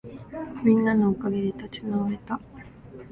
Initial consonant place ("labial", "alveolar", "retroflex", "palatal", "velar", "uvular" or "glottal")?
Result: labial